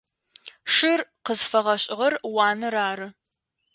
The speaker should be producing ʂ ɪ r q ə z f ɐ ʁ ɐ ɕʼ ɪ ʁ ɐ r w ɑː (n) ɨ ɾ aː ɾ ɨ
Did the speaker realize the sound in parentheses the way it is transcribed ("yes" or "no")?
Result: yes